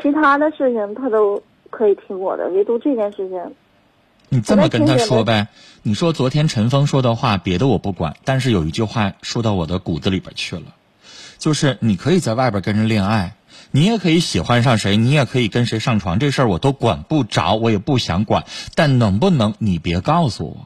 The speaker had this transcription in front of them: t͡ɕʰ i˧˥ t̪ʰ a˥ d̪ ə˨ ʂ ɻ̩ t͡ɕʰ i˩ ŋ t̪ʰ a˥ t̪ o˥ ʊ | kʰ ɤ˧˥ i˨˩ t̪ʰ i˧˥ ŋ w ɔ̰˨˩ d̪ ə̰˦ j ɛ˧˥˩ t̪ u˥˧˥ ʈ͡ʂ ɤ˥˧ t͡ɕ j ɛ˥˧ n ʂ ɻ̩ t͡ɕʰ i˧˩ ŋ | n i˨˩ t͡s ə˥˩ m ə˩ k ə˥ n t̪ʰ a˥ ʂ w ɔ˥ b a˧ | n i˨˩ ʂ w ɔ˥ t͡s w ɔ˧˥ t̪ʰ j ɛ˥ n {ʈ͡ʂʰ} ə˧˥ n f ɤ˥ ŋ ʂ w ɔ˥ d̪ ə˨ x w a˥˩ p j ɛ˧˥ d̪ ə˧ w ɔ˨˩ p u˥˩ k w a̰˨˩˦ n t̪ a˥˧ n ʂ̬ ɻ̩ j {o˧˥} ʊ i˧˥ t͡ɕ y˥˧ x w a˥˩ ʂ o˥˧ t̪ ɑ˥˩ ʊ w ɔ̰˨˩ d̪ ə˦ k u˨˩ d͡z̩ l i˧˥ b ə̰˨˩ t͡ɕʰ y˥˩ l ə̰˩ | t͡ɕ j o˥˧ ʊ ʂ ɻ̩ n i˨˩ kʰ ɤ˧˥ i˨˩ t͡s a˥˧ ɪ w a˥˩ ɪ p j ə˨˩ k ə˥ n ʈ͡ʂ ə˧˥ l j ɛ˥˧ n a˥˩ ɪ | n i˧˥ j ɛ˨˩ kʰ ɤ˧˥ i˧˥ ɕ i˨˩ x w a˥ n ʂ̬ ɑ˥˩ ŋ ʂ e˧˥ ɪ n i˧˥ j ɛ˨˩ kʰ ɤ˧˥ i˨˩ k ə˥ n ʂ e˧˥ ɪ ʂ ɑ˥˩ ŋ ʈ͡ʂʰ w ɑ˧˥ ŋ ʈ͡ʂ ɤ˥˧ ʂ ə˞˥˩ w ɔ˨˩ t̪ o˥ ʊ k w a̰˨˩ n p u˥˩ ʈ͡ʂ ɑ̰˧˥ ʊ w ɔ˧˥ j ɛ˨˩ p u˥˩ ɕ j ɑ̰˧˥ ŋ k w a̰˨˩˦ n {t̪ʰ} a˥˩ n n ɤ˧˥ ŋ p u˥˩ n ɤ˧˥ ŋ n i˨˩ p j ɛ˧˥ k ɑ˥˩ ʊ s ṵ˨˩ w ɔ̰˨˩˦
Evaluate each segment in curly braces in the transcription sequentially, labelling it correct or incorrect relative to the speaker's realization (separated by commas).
correct, incorrect, incorrect